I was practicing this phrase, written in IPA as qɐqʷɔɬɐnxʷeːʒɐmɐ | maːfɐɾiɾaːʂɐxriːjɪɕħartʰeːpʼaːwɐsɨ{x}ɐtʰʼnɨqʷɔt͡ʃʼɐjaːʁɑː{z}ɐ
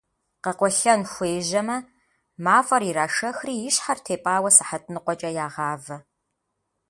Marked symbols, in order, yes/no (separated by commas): no, no